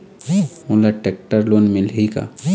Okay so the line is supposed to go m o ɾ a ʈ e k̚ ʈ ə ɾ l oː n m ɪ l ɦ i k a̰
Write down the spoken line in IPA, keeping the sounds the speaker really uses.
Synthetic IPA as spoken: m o l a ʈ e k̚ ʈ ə ɾ l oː n m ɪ l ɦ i k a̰

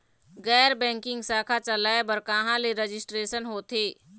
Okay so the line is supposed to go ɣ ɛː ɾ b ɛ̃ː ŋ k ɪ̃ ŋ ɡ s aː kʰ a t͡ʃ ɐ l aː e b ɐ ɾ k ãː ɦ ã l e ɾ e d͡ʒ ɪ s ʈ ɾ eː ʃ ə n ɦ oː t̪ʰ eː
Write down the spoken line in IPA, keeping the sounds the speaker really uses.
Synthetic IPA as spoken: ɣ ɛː ɾ b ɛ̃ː ŋ k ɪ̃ ŋ ɡ s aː kʰ a t͡ʃ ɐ l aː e b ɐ ɾ k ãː ɦ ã l e ɾ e d͡ʒ ɪ s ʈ ɾ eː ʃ ə n ɦ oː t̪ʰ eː

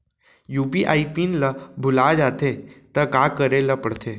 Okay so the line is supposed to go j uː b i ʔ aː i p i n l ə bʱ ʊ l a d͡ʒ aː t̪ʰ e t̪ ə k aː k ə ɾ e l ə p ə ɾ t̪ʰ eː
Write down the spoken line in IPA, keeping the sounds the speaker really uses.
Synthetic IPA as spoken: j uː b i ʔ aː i p i n l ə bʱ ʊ l a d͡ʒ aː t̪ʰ e t̪ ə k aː k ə ɾ e l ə p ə ɽ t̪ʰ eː

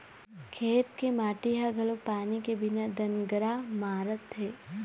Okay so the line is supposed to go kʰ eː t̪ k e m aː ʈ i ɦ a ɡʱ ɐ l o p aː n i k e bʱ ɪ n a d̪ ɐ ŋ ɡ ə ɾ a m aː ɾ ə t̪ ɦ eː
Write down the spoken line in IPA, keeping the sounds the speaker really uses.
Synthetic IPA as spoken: kʰ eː t̪ k e m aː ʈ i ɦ a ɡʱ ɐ l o p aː n i k e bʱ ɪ n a d̪ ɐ n ɡ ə ɾ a m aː ɾ ə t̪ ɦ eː

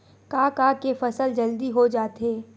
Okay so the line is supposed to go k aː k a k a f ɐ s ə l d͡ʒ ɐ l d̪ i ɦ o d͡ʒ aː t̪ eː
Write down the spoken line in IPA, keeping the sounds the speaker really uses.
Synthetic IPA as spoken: k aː k a k e f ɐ s ə l d͡ʒ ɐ l d̪ i ɦ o d͡ʒ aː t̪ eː

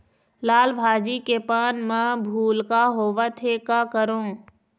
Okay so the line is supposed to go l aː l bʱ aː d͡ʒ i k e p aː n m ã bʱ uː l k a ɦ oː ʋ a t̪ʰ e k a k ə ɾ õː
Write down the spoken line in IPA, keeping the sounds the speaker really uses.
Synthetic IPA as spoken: l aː l bʱ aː d͡ʒ i k e p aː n m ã bʱ uː l k a ɦ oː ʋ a t̪ʰ e k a k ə ɾ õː

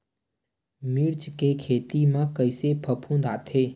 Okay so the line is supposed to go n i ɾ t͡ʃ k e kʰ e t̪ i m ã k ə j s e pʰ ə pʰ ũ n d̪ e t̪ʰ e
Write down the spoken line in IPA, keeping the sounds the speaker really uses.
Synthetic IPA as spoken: m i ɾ t͡ʃ k e kʰ e t̪ i m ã k ə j s e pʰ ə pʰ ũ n d̪ a t̪ʰ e

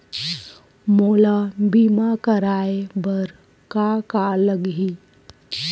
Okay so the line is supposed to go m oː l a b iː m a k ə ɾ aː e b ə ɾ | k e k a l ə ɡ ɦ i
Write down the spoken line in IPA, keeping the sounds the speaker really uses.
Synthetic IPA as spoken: m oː l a b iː m a k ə ɾ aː e b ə ɾ | k a k a l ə ɡ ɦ i

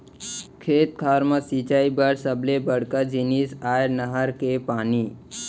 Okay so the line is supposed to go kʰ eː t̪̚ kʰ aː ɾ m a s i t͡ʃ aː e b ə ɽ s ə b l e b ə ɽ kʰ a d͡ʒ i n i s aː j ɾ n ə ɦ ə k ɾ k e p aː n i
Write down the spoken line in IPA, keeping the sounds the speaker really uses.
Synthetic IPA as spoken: kʰ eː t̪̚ kʰ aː ɾ m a s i t͡ʃ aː i b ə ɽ s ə b l e b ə ɽ k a d͡ʒ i n i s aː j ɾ n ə ɦ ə ɾ k e p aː n i

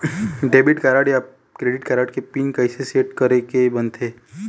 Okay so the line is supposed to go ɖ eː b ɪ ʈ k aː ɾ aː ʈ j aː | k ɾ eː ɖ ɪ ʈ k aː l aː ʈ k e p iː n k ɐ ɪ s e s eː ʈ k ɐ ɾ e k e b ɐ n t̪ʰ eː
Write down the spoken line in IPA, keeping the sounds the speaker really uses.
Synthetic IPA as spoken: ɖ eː b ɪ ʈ k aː ɾ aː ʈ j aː | k ɾ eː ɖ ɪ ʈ k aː ɾ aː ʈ k e p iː n k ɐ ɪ s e s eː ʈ k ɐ ɾ e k e b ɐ n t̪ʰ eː

